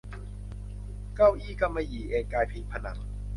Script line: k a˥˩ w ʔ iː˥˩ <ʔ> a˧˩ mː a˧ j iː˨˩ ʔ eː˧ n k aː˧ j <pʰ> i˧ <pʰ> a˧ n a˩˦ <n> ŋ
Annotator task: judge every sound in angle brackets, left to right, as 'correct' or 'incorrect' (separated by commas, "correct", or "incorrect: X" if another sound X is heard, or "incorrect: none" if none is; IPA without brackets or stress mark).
incorrect: k, correct, correct, incorrect: none